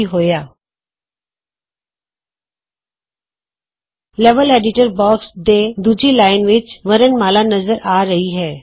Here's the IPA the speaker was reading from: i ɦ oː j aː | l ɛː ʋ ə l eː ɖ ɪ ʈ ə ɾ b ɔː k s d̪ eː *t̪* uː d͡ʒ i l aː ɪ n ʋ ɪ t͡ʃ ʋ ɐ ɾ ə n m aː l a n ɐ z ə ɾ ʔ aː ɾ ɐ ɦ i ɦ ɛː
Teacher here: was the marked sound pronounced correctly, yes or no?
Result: no